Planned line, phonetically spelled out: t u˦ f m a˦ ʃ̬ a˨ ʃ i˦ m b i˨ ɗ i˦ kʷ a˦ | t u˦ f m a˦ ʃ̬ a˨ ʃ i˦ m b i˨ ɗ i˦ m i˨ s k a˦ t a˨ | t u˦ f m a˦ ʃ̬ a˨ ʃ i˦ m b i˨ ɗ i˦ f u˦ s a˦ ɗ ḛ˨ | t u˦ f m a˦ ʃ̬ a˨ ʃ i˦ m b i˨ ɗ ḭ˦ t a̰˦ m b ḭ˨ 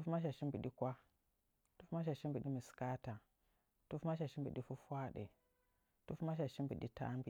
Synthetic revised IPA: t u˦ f m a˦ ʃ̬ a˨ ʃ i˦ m b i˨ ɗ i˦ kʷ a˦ | t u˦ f m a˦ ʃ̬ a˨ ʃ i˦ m b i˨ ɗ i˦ m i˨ s k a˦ t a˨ | t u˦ f m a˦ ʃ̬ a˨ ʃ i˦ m b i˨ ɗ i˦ f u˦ f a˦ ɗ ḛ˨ | t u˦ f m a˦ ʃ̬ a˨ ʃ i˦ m b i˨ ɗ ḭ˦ t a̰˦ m b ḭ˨